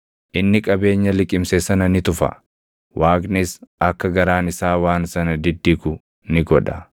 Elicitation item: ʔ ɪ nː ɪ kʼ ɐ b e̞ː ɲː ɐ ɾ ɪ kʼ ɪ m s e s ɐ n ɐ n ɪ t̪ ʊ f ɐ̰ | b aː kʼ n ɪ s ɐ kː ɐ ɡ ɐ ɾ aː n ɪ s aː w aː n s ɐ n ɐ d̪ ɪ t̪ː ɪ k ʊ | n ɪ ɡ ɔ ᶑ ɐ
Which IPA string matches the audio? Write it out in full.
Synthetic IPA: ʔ ɪ nː ɪ kʼ ɐ b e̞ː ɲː ɐ l ɪ kʼ ɪ m s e s ɐ n ɐ n ɪ t̪ ʊ f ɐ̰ | w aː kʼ n ɪ s ɐ kː ɐ ɡ ɐ ɾ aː n ɪ s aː w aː n s ɐ n ɐ d̪ ɪ d̪ː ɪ k ʊ | n ɪ ɡ ɔ ᶑ ɐ